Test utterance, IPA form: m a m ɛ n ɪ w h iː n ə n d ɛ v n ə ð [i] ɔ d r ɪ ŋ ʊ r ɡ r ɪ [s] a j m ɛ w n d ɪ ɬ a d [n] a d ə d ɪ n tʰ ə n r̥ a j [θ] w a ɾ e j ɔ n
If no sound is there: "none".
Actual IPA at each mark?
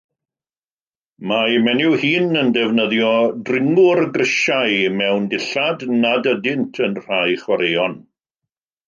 j, ʃ, n, χ

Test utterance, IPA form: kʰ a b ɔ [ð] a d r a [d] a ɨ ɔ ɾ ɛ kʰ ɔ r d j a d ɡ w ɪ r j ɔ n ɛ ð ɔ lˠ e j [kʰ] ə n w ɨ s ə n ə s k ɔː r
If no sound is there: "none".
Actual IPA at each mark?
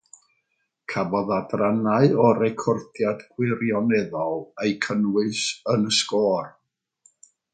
ð, n, kʰ

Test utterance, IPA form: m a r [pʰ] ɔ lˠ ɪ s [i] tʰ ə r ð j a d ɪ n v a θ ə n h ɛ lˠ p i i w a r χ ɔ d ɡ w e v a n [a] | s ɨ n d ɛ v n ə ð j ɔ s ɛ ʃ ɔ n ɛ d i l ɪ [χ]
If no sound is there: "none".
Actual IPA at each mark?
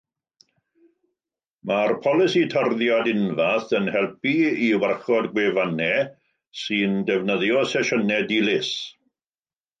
pʰ, i, ɛ, s

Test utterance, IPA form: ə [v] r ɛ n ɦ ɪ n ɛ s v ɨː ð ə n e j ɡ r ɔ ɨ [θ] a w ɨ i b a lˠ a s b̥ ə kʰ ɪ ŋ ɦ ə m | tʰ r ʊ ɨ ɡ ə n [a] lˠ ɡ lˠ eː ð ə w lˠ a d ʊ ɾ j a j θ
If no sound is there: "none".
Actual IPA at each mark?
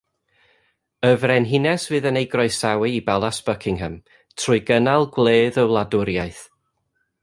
v, s, a

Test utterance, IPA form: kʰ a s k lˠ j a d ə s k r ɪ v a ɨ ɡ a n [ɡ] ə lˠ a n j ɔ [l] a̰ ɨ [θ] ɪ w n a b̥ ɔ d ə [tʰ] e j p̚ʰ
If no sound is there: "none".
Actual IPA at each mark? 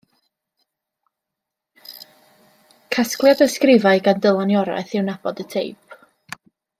d, ɾ, θ, tʰ

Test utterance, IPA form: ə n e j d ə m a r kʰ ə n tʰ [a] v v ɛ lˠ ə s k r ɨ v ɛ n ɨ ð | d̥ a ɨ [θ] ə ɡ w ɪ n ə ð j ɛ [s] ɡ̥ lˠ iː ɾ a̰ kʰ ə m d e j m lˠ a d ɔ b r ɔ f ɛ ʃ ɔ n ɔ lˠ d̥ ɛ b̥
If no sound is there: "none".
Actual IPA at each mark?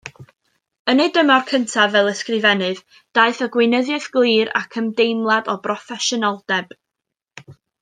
a, θ, θ

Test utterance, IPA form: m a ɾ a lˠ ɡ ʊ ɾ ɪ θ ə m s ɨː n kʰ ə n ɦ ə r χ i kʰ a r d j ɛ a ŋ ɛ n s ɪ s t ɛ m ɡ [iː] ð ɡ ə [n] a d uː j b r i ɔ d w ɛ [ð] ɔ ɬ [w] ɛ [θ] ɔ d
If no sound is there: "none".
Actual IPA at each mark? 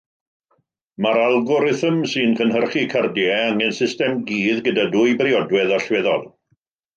iː, d, ð, w, ð

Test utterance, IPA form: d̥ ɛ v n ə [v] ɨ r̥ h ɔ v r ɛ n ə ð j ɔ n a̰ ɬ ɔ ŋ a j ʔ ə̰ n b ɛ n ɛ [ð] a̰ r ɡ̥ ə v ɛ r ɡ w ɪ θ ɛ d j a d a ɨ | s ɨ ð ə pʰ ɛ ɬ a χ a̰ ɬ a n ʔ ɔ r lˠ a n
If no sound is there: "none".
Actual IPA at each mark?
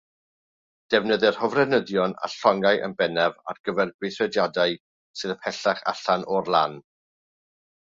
ð, v

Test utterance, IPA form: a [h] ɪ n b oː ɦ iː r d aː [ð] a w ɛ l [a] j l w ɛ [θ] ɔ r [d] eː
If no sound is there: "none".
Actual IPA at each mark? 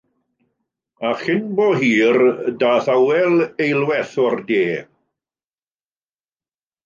χ, θ, e, θ, d

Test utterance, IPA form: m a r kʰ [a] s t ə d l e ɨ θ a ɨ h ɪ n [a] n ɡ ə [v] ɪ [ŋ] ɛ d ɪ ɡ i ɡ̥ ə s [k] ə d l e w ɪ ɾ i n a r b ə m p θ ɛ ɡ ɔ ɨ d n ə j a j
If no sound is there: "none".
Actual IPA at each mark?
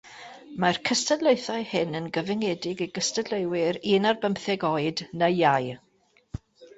ə, ə, v, ŋ, t

